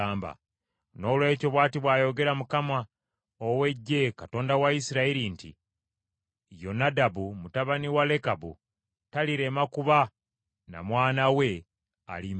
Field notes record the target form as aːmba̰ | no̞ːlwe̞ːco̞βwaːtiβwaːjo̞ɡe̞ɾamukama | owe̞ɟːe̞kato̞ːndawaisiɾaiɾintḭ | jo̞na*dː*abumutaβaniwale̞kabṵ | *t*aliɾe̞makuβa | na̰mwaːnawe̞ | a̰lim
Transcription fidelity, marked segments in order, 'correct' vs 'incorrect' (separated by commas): incorrect, correct